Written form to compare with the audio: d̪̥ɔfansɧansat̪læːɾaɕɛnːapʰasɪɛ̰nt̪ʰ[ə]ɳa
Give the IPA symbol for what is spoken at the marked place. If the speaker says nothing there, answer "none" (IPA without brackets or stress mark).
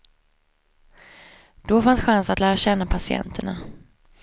ə